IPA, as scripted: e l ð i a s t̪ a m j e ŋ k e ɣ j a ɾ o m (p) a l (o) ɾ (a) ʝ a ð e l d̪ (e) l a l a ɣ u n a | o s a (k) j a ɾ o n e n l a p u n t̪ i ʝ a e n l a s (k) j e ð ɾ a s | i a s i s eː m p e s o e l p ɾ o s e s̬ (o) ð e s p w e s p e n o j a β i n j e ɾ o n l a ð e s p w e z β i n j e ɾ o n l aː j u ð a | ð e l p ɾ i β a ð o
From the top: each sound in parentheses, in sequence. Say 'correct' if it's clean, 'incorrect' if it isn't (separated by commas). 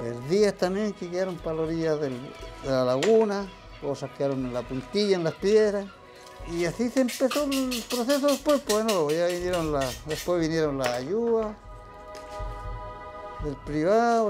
correct, correct, incorrect, correct, correct, incorrect, correct